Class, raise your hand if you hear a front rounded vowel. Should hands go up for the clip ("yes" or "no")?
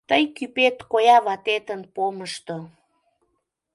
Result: yes